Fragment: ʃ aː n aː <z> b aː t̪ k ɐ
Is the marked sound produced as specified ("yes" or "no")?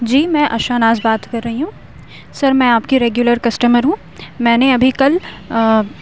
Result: yes